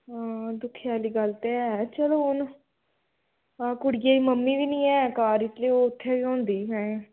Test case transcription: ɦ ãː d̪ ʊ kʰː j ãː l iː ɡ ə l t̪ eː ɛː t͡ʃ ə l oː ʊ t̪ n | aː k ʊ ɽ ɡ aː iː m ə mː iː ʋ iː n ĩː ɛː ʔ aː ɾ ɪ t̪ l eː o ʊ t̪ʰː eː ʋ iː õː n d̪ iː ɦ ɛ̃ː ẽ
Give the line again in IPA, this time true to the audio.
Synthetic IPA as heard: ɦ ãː d̪ ʊ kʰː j aː l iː ɡ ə l t̪ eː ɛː t͡ʃ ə l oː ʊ n | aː k ʊ ɽ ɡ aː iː m ə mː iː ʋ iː n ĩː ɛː k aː ɾ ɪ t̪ l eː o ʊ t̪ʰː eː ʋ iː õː n d̪ iː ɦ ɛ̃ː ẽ